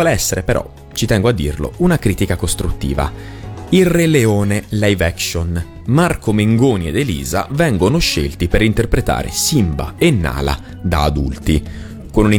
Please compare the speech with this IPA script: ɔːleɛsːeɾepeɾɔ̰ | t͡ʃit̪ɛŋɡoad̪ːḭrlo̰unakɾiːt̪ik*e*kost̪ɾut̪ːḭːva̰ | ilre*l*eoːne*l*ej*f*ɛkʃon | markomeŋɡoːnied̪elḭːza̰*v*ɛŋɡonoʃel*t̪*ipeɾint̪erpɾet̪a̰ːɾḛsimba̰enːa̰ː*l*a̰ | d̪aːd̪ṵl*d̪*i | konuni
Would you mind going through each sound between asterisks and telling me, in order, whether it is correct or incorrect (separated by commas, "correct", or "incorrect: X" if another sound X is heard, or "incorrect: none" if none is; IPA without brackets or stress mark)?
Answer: incorrect: a, correct, correct, incorrect: v, correct, correct, correct, incorrect: t̪